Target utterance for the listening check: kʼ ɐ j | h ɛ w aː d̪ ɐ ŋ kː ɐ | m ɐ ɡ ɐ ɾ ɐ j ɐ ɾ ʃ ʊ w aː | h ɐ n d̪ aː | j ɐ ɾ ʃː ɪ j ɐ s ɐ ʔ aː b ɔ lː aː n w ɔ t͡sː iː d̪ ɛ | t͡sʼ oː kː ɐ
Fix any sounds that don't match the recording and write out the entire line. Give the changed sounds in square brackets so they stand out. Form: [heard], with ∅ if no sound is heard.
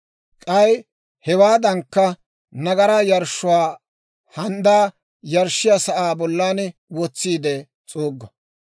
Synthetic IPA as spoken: kʼ ɐ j | h ɛ w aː d̪ ɐ ŋ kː ɐ | [n] ɐ ɡ ɐ ɾ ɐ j ɐ ɾ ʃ ʊ w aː | h ɐ n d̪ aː | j ɐ ɾ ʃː ɪ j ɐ s ɐ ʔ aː b ɔ lː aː n w ɔ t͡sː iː d̪ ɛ | t͡sʼ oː [ɡː] ɐ